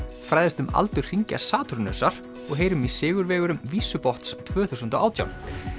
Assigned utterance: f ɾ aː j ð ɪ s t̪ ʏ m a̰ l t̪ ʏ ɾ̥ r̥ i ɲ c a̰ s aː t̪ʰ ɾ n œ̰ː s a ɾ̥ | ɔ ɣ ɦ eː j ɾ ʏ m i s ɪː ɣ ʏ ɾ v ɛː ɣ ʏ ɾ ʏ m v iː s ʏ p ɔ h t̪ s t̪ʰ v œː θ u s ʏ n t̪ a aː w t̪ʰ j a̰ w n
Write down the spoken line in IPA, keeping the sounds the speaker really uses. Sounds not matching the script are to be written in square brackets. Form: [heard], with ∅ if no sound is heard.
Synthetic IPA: f ɾ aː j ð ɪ s t̪ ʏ m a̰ l t̪ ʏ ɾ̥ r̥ i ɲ c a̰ s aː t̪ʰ ɾ n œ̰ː s a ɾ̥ | ɔ ɣ ɦ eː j ɾ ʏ m i s ɪː ɣ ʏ ɾ v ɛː ɣ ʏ ɾ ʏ m v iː s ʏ p ɔ h t̪ s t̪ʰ v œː θ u s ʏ n t̪ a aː w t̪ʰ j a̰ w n

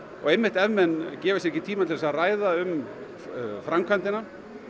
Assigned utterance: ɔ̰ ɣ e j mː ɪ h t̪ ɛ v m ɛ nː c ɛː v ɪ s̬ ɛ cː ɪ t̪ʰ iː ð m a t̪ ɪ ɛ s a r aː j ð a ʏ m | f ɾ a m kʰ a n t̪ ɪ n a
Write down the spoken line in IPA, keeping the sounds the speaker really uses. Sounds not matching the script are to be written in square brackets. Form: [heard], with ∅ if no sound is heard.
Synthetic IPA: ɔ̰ ɣ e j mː ɪ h t̪ ɛ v m ɛ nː c ɛː v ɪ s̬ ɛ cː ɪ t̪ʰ iː [∅] m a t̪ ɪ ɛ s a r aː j ð a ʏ m | f ɾ a m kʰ a n t̪ ɪ n a

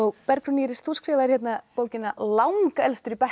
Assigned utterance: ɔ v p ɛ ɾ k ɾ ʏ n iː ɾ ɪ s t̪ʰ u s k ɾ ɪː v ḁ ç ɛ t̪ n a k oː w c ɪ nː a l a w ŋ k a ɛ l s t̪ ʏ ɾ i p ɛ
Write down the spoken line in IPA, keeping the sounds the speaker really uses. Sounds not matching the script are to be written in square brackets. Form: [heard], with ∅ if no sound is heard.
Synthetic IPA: ɔ [ɣ] p ɛ ɾ k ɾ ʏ n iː ɾ ɪ s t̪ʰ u s k ɾ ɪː v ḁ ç ɛ t̪ n a [p] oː w c ɪ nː a l a w ŋ k a ɛ l s t̪ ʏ ɾ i p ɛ

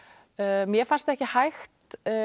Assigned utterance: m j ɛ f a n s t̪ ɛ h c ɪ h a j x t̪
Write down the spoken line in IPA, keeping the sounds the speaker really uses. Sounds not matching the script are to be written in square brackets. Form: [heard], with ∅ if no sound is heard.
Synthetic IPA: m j ɛ f a n s t̪ ɛ h c ɪ h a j x t̪

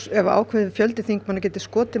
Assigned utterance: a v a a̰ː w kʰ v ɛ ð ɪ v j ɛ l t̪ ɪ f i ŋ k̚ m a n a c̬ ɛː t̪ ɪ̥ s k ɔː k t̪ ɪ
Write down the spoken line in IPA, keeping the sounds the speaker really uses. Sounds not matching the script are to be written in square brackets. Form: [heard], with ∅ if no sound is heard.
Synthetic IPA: [ɛ] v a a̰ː w kʰ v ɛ ð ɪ [f] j [œ] l t̪ ɪ [θ] i ŋ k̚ m a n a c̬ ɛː t̪ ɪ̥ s k ɔː [∅] t̪ ɪ

